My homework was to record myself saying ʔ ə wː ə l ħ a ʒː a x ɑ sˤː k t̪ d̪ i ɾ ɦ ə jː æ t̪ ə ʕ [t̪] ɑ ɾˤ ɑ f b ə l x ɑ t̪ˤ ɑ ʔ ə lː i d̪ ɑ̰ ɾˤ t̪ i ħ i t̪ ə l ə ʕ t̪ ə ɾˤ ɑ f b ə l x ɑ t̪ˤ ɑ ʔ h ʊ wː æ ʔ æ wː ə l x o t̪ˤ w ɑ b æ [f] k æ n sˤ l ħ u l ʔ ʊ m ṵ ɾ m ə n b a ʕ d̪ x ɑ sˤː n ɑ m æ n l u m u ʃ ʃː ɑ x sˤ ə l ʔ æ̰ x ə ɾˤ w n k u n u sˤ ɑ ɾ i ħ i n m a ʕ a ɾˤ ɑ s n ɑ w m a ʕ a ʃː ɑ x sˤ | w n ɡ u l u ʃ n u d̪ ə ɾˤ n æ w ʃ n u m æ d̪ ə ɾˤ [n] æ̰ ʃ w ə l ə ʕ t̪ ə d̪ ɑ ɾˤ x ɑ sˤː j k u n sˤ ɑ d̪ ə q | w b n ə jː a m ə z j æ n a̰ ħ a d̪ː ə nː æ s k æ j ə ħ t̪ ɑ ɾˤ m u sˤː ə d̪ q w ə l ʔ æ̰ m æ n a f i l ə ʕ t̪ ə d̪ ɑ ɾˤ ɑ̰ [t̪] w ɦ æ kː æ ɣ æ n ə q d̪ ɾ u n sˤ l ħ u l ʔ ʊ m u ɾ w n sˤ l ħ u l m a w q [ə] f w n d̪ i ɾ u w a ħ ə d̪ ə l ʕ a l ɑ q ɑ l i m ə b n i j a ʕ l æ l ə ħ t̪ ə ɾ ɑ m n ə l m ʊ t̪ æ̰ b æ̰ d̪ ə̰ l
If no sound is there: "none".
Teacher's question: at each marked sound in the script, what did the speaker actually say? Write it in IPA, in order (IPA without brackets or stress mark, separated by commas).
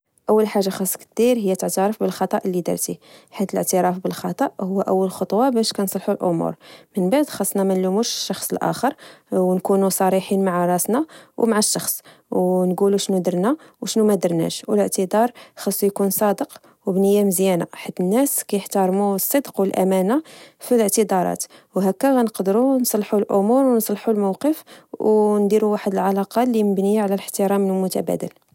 t̪, ʃ, n, t̪, ə